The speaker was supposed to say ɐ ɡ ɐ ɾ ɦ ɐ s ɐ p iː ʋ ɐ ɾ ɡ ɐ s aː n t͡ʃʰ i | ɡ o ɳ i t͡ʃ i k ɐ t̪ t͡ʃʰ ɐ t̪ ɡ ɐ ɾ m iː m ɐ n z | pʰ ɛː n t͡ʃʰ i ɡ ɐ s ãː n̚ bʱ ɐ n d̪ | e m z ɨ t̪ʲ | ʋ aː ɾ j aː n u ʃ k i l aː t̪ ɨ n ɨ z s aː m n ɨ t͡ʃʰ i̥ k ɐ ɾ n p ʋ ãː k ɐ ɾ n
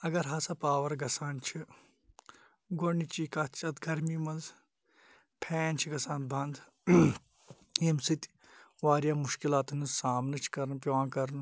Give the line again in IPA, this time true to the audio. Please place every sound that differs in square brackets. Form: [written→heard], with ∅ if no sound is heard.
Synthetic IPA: ɐ ɡ ɐ ɾ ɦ ɐ s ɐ p [iː→aː] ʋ ɐ ɾ ɡ ɐ s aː n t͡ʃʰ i | ɡ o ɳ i t͡ʃ i k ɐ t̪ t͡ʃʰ ɐ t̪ ɡ ɐ ɾ m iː m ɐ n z | pʰ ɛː n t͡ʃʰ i ɡ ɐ s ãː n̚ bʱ ɐ n d̪ | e m [z→s] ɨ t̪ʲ | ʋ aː ɾ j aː [n→m] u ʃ k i l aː t̪ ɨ n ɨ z s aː m n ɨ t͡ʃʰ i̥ k ɐ ɾ n p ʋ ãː k ɐ ɾ n